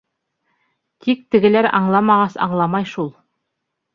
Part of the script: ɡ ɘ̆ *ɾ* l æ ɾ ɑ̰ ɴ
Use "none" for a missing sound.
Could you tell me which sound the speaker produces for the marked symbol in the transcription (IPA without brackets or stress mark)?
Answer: none